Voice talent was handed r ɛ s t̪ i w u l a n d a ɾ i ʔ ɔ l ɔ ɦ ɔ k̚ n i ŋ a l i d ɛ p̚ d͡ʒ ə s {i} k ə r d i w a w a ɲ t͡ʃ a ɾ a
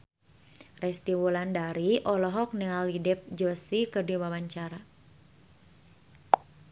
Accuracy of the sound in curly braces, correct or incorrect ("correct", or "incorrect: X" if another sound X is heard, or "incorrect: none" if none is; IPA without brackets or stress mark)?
correct